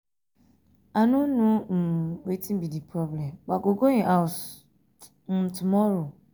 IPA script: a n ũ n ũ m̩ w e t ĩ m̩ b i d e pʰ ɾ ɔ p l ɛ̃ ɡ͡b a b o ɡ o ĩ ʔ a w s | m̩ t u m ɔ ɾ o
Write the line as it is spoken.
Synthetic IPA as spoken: a n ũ n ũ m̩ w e t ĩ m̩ b i d i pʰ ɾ ɔ b l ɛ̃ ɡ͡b a ɡ o ɡ o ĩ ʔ a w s | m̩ t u m ɔ ɾ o